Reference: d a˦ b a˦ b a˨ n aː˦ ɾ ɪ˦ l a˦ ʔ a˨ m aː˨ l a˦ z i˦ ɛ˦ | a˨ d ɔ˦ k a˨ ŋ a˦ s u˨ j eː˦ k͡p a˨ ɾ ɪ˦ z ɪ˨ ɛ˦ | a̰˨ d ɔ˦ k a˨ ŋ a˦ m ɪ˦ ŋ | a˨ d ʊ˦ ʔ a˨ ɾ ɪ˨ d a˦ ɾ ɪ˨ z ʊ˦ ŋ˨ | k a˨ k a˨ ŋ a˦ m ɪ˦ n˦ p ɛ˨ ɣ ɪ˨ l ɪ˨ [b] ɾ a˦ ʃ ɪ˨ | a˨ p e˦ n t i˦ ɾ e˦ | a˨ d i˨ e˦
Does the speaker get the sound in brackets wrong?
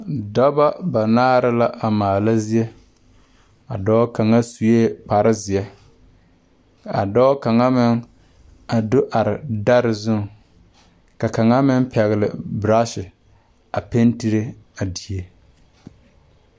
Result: no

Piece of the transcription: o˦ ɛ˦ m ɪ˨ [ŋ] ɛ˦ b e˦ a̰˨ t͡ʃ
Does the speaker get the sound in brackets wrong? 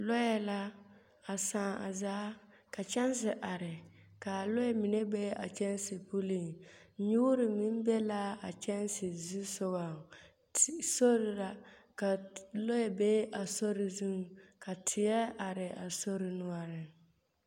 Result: yes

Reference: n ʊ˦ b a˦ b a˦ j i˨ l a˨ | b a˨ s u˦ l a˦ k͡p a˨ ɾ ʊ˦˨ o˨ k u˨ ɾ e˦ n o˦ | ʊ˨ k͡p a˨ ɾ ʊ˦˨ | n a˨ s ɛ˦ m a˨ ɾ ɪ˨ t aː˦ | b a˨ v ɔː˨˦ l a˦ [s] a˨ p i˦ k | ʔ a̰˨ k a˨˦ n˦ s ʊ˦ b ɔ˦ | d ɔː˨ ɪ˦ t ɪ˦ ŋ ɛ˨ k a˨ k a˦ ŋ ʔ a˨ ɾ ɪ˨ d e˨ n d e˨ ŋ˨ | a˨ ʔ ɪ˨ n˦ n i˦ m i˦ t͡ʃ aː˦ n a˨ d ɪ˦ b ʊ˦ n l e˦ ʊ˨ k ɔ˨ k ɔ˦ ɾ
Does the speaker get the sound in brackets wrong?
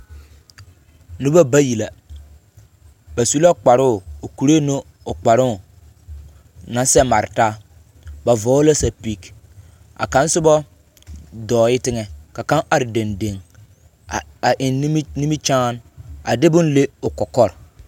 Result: no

